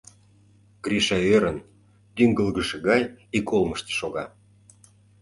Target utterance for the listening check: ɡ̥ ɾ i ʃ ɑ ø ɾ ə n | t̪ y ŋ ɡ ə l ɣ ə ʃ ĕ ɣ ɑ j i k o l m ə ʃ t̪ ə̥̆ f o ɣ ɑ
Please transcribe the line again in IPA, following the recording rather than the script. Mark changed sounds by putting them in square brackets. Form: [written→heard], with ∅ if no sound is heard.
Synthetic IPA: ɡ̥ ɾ i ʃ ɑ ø ɾ ə n | t̪ y ŋ ɡ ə l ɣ ə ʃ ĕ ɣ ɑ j i k o l m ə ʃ t̪ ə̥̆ [f→ʃ] o ɣ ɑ